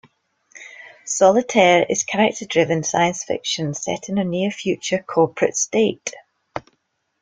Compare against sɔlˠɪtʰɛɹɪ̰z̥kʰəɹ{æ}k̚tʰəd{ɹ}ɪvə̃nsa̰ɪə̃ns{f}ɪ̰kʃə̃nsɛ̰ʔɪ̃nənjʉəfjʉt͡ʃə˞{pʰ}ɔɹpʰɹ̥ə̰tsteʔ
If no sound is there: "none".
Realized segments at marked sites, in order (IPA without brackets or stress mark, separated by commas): ɛ, ɹ, f, kʰ